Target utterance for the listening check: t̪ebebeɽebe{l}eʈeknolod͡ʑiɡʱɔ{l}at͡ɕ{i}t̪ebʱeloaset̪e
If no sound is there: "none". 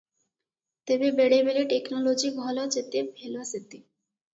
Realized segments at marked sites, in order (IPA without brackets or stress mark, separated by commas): l, l, e